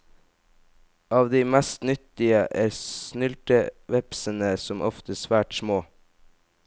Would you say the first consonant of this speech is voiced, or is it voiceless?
voiced